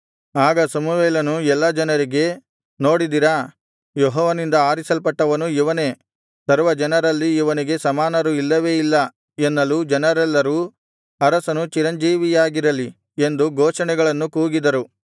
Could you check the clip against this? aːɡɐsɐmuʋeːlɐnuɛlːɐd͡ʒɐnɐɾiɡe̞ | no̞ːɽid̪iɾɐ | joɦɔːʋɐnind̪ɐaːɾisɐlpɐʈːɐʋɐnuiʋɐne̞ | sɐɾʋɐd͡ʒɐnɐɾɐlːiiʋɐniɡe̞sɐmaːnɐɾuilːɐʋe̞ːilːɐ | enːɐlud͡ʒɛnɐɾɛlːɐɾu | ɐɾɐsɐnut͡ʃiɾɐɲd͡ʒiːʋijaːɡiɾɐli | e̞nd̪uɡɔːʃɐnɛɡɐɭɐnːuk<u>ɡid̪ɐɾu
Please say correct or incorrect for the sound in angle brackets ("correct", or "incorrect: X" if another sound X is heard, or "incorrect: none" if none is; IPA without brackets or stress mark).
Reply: incorrect: uː